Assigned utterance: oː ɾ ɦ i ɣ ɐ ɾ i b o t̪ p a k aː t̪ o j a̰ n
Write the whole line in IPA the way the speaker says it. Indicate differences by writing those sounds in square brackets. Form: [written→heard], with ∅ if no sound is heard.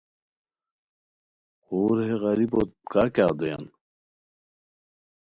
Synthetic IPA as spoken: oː ɾ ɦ [i→e] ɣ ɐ ɾ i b o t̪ [p→k] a k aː [t̪→d̪] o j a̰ n